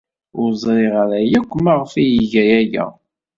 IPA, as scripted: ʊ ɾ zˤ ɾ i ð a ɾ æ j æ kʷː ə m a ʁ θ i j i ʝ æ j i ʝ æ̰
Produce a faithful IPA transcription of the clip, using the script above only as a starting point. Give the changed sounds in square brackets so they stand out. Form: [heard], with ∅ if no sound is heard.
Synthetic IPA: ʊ ɾ zˤ ɾ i [ʁ] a ɾ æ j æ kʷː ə m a ʁ [f] i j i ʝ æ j [æ] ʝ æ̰